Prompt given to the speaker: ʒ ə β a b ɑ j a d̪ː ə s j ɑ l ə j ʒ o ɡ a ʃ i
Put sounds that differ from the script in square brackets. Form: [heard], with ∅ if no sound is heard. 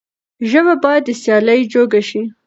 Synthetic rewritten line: ʒ ə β a b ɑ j a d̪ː ə s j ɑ l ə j [d͡ʒ] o ɡ a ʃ i